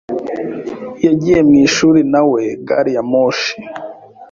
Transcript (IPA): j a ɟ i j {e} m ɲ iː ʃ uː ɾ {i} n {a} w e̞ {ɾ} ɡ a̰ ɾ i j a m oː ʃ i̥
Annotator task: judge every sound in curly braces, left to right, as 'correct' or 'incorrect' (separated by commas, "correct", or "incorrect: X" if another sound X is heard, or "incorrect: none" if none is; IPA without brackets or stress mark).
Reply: correct, correct, correct, incorrect: none